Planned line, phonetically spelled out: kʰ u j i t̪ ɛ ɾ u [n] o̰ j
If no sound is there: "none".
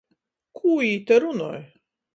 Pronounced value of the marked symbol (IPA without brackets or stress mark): n